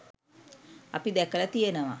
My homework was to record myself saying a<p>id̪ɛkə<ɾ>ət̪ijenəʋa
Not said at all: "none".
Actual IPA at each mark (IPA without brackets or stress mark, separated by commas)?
p, l